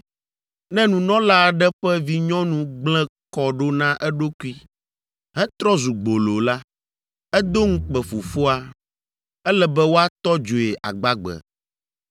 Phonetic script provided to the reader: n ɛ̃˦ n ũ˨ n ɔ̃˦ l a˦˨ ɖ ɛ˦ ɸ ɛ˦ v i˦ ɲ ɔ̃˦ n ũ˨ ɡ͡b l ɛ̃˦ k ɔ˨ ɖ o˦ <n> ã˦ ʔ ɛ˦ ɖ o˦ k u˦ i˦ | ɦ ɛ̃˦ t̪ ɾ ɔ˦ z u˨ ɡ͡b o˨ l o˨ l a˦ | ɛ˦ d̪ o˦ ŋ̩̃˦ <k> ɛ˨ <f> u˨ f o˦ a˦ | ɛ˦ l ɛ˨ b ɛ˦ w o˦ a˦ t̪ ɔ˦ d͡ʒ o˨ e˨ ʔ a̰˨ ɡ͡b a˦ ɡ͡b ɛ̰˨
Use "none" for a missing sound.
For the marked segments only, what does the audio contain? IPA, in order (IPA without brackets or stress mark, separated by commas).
n, k͡p, f